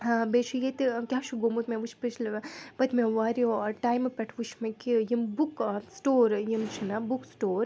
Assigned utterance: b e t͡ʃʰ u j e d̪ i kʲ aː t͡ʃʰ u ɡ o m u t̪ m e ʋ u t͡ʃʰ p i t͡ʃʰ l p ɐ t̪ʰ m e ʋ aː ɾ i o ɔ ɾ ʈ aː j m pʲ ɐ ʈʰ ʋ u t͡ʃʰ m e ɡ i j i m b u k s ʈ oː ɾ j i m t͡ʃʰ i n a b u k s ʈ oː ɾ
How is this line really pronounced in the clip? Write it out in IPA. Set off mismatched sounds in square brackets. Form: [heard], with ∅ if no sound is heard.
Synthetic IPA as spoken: b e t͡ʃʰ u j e [t̪] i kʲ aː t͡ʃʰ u ɡ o m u t̪ m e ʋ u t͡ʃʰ p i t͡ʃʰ l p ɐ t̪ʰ m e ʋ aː ɾ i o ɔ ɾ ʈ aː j m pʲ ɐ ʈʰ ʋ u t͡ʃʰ m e [k] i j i m b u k s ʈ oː ɾ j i m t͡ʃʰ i n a b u k s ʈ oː ɾ

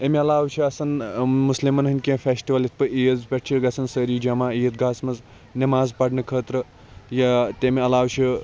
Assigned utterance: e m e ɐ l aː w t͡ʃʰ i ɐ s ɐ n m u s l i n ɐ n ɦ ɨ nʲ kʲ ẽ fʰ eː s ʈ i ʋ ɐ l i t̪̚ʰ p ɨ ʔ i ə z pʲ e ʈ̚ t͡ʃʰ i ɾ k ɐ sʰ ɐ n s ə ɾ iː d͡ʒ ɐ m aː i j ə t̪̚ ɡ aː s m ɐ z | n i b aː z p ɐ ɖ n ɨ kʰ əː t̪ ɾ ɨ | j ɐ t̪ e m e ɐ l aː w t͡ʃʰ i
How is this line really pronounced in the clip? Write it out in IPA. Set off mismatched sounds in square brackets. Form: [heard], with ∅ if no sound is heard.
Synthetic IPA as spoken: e m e ɐ l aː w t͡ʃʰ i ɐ s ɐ n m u s l i [m] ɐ n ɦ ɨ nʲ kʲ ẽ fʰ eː s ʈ i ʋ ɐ l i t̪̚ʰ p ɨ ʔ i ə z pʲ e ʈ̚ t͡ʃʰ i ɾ [ɡ] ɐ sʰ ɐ n s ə ɾ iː d͡ʒ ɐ m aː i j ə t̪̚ ɡ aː s m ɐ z | n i [m] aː z p ɐ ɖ n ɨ kʰ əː t̪ ɾ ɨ | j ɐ t̪ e m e ɐ l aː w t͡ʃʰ i

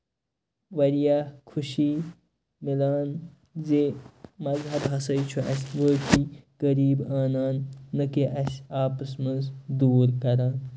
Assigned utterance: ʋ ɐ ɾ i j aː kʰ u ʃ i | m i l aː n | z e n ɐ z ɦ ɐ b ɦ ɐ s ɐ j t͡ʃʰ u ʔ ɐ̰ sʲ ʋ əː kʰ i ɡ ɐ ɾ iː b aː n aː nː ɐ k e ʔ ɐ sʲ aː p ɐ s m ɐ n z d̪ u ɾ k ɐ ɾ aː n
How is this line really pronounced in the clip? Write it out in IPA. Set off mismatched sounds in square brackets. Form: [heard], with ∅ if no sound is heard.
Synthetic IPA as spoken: ʋ ɐ ɾ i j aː kʰ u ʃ i | m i l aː n | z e [m] ɐ z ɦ ɐ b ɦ ɐ s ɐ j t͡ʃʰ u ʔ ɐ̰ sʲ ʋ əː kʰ i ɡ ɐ ɾ iː b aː n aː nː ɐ k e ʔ ɐ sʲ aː p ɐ s m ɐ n z d̪ [uː] ɾ k ɐ ɾ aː n

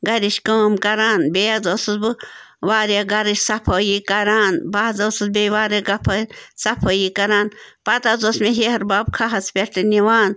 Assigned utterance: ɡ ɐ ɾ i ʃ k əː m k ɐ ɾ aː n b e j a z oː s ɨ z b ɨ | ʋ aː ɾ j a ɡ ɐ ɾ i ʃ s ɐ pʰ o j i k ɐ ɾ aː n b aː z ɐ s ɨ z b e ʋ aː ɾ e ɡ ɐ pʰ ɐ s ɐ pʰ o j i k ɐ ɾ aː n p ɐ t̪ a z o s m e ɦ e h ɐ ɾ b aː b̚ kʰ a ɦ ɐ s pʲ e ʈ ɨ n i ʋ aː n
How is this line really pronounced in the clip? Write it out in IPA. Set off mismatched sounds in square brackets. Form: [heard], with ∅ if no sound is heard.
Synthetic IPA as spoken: ɡ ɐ ɾ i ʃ k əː m k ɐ ɾ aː n b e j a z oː s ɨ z b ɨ | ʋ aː ɾ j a ɡ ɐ ɾ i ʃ s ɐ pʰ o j i k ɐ ɾ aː n b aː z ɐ s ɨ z b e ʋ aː ɾ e ɡ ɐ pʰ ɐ s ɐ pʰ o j i k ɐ ɾ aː n p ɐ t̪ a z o s m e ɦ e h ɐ ɾ b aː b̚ kʰ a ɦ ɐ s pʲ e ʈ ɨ n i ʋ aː n

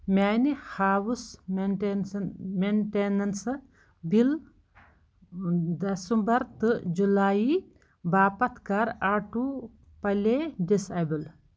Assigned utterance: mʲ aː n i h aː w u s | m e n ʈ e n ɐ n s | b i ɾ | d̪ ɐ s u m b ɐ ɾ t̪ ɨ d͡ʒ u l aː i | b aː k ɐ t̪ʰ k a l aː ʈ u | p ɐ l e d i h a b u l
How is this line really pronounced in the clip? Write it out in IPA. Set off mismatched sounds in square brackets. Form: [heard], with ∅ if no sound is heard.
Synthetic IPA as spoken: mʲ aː n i h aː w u s | m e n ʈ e n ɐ n s | b i [l] | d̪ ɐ s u m b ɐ ɾ t̪ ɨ d͡ʒ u l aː i | b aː [p] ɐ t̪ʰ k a [ɾ] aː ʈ u | p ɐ l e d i [s] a b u l

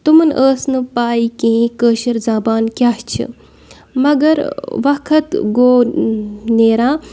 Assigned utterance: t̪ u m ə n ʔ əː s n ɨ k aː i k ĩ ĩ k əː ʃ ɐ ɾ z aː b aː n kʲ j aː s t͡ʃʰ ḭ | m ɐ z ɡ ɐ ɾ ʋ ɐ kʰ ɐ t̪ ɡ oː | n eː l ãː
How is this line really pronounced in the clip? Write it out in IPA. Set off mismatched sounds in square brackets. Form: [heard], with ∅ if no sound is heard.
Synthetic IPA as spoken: t̪ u m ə n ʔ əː s n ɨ [p] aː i k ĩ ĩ k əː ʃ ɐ ɾ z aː b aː n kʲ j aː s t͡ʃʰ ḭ | m ɐ [∅] ɡ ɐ ɾ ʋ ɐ kʰ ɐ t̪ ɡ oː | n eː [ɾ] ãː

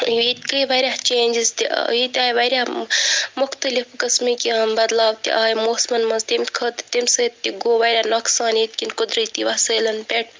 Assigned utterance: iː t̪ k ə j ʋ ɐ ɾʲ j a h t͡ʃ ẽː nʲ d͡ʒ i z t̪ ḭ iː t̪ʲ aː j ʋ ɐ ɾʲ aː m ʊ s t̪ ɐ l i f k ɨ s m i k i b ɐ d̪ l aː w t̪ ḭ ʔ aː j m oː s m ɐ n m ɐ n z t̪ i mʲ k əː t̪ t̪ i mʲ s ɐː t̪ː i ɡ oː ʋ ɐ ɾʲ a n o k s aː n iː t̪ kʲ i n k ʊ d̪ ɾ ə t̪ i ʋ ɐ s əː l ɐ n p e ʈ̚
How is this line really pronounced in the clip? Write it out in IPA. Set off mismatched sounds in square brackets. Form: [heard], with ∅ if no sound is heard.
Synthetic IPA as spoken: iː t̪ k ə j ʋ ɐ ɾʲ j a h t͡ʃ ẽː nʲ d͡ʒ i z t̪ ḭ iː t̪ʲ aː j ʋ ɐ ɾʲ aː m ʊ [x] t̪ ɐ l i f k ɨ s m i k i b ɐ d̪ l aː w t̪ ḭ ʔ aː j m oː s m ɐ n m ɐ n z t̪ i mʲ [kʰ] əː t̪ t̪ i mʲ s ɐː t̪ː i ɡ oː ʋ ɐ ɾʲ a n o k s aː n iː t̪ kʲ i n k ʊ d̪ ɾ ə t̪ i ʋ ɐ s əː l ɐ n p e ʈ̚

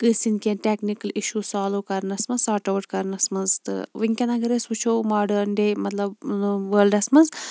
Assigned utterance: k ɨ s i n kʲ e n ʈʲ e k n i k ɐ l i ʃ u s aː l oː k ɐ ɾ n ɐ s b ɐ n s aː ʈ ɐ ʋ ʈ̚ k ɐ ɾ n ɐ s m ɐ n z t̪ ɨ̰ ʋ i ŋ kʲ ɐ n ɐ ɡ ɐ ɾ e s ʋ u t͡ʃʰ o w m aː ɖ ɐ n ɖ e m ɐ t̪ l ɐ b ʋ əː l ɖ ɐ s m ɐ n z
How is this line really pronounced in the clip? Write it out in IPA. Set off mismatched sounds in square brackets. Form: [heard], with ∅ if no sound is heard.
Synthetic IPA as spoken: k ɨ s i n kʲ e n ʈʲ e k n i k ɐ l i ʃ u s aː l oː k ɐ ɾ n ɐ s [m] ɐ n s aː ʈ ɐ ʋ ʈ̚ k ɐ ɾ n ɐ s m ɐ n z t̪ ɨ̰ ʋ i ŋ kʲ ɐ n ɐ ɡ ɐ ɾ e s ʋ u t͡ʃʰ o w m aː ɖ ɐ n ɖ e m ɐ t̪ l ɐ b ʋ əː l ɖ ɐ s m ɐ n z

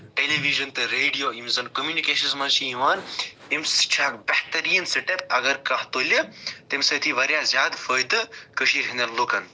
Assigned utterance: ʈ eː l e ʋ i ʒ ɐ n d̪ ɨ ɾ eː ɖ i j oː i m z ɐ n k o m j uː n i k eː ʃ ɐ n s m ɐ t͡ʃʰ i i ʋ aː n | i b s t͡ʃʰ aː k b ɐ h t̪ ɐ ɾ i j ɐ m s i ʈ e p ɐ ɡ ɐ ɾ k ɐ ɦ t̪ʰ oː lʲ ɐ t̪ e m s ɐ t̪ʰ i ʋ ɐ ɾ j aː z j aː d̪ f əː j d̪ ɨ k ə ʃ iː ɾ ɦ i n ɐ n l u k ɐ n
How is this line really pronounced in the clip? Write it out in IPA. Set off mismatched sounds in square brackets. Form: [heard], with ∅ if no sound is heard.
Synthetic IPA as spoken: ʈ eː l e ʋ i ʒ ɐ n [t̪] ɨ ɾ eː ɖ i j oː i m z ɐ n k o m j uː n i k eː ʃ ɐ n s m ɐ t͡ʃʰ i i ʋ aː n | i [m] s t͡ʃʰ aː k b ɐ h t̪ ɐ ɾ i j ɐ [n] s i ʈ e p ɐ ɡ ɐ ɾ k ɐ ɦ [t̪] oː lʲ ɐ t̪ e m s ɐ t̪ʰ i ʋ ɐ ɾ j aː z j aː d̪ f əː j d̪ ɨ k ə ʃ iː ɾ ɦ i n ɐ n l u k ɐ n

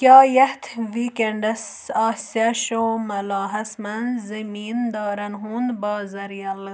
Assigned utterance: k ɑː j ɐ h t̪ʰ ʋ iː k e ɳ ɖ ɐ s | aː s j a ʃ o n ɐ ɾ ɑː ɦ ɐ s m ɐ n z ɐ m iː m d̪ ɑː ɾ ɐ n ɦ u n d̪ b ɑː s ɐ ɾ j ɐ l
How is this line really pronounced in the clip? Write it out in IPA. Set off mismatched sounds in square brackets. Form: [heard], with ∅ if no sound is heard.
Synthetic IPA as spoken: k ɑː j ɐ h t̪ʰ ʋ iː k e ɳ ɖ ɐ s | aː s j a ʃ o [m] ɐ [l] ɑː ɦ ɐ s m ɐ n z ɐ m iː [n] d̪ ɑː ɾ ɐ n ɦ u n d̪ b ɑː [z] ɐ ɾ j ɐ l

